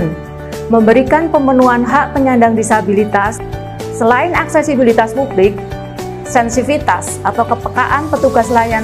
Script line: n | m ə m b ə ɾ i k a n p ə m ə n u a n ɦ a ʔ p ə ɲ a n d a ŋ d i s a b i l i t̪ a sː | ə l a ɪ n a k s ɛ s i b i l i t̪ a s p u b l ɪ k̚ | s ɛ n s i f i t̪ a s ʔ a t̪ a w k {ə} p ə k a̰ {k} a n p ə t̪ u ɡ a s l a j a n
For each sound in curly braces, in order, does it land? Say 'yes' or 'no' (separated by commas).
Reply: yes, no